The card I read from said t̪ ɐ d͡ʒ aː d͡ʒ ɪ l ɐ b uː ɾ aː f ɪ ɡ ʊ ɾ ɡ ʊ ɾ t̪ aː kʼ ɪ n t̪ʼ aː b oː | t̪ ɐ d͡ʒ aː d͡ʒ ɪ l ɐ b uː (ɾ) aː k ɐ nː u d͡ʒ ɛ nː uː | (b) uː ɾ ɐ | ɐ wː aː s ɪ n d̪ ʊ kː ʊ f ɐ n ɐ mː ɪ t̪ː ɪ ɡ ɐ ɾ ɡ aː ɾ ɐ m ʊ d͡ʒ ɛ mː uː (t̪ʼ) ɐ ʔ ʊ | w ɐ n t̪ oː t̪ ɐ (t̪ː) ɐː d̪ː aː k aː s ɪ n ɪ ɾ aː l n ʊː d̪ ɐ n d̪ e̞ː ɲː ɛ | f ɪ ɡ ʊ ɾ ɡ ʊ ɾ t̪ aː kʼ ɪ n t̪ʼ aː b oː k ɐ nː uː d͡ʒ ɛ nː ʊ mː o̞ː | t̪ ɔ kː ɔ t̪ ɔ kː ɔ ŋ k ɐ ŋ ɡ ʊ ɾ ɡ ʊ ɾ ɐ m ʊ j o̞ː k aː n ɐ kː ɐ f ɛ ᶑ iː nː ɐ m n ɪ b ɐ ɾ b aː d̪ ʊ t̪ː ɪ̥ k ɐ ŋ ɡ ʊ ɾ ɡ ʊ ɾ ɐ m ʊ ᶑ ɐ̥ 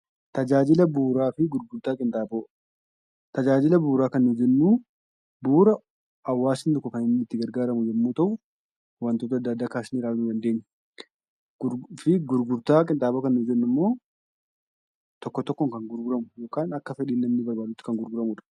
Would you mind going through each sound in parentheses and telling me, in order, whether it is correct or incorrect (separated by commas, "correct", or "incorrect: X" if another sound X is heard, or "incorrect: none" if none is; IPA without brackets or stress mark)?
correct, correct, incorrect: t̪, incorrect: d̪ː